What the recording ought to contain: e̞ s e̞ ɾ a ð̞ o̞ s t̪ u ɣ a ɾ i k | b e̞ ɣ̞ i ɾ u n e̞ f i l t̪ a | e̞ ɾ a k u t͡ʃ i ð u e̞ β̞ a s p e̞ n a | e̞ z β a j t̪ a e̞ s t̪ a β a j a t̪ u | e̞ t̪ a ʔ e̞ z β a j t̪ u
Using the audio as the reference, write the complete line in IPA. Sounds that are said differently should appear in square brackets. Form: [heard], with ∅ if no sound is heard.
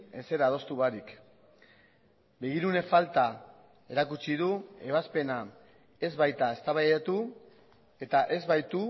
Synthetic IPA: e̞ s e̞ ɾ a ð̞ o̞ s t̪ u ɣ a ɾ i k | b e̞ ɣ̞ i ɾ u n e̞ f [a] l t̪ a | e̞ ɾ a k u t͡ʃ i ð u e̞ β̞ a s p e̞ n a | e̞ z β a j t̪ a e̞ s t̪ a β a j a t̪ u | e̞ t̪ a ʔ e̞ z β a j t̪ u